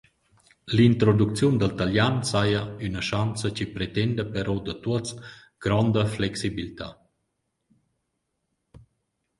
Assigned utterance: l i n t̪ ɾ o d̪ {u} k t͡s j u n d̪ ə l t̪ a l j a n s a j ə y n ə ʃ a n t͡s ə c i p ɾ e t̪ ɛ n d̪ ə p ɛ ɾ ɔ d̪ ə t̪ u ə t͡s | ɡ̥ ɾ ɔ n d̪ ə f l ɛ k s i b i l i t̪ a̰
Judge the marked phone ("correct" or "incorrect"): correct